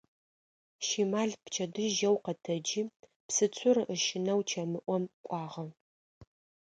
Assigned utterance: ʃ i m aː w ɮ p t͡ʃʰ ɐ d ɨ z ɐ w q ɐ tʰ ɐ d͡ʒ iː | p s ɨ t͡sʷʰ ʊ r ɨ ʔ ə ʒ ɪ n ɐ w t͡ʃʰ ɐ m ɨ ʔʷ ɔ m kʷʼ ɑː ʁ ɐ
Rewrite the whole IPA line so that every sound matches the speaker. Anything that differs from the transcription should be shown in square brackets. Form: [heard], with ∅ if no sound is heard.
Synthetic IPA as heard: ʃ i m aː [∅] ɮ p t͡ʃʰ ɐ d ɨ [ʒ] ɐ w q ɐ tʰ ɐ d͡ʒ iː | p s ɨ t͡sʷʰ ʊ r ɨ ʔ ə [ʃ] ɪ n ɐ w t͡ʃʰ ɐ m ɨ ʔʷ ɔ m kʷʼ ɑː ʁ ɐ